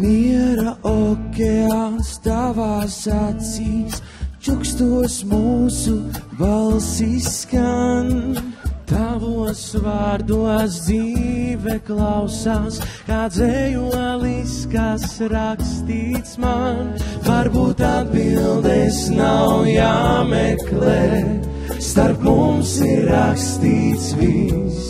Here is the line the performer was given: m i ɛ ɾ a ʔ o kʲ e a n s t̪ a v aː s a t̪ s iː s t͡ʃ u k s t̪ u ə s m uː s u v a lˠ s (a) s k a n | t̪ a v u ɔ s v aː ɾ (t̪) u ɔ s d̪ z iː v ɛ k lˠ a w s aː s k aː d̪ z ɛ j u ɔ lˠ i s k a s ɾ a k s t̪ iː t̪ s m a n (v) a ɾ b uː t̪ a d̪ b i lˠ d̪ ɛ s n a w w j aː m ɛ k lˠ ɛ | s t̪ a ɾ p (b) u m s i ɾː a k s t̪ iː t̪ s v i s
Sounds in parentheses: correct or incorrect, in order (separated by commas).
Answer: incorrect, incorrect, correct, incorrect